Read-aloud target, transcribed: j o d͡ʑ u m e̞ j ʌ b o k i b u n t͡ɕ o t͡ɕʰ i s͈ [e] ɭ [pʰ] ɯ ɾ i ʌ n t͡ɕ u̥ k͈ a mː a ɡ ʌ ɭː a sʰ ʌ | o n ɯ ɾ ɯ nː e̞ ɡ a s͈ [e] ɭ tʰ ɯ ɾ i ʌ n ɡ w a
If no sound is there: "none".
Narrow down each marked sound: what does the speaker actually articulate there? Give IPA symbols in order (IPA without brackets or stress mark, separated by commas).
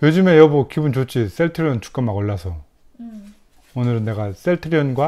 e, tʰ, e